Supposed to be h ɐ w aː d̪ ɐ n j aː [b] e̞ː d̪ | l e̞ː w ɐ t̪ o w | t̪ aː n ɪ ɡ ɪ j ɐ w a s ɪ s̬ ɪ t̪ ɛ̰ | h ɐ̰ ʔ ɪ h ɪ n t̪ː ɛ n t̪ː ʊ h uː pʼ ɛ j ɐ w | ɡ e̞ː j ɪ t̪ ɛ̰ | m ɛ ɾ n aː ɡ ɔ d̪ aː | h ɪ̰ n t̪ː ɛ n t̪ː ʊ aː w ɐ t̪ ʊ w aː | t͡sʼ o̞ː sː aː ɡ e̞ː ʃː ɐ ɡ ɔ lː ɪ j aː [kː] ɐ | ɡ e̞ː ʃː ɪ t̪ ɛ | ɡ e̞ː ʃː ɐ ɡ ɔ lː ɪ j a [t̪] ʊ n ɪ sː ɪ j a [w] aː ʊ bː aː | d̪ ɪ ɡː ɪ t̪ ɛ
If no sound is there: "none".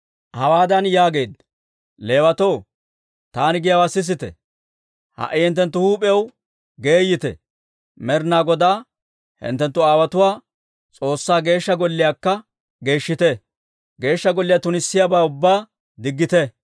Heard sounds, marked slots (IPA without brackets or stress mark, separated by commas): ɡ, kː, t̪, b